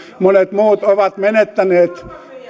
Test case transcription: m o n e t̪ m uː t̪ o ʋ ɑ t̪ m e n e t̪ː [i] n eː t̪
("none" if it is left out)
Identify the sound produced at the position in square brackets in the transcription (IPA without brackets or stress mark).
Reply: æ